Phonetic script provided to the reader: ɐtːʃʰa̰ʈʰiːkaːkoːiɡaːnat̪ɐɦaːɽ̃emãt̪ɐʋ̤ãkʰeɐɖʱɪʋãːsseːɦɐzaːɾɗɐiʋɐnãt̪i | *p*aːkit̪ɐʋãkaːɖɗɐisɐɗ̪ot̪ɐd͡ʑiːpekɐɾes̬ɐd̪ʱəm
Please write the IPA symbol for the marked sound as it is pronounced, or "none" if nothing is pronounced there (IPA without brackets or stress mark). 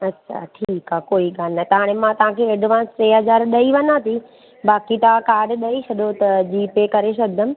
b